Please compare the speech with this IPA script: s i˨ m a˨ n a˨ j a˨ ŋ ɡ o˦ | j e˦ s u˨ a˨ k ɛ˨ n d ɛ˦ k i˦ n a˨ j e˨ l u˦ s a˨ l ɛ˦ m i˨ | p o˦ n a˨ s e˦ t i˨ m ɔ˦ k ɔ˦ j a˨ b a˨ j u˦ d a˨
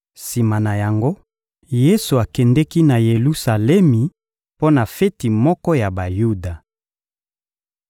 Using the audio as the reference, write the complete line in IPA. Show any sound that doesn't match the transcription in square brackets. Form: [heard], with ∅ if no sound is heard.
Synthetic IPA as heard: s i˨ m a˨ n a˨ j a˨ ŋ ɡ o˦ | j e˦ s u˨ a˨ k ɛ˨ n d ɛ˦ k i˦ n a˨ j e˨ l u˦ s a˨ l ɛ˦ m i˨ | p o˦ n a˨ [f] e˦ t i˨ m ɔ˦ k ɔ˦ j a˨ b a˨ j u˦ d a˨